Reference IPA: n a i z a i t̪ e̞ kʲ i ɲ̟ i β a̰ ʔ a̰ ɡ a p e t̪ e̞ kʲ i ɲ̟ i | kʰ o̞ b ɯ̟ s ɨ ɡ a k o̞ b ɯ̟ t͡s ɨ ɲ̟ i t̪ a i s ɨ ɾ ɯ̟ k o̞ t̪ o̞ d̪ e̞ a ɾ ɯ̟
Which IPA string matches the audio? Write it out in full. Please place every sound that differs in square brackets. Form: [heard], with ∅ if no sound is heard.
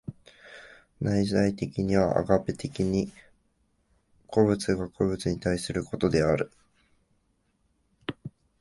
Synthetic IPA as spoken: n a i z a i t̪ e̞ kʲ i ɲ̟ i β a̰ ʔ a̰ ɡ a p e t̪ e̞ kʲ i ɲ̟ i | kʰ o̞ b ɯ̟ [t͡s] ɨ ɡ a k o̞ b ɯ̟ t͡s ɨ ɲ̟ i t̪ a i s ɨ ɾ ɯ̟ k o̞ t̪ o̞ d̪ e̞ a ɾ ɯ̟